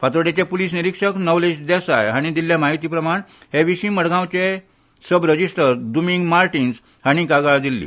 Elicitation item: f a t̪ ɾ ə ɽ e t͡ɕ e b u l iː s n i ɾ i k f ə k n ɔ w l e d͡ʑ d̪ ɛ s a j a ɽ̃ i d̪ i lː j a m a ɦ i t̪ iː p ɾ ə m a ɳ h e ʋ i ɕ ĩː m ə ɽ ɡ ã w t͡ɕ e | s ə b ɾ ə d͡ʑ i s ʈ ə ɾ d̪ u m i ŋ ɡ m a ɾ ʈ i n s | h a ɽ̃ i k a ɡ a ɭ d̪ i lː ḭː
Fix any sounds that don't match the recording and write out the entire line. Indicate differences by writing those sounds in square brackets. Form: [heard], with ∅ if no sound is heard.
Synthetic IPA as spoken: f a t̪ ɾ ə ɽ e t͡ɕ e [p] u l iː s n i ɾ i k [ʂ] ə k n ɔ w l e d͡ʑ d̪ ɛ s a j a ɽ̃ i d̪ i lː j a m a ɦ i t̪ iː p ɾ ə m a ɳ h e ʋ i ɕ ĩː m ə ɽ ɡ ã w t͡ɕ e | s ə b ɾ ə d͡ʑ i s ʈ ə ɾ d̪ u m i ŋ ɡ m a ɾ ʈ i n s | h a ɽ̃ i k a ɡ a ɭ d̪ i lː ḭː